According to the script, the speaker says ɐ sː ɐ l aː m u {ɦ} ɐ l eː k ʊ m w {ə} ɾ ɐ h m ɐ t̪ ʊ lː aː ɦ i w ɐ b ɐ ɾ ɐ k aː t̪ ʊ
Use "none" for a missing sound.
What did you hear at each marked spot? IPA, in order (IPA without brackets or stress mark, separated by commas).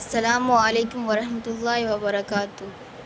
none, ɐ